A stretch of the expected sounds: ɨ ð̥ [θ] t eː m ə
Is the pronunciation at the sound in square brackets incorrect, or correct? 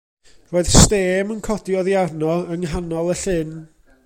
incorrect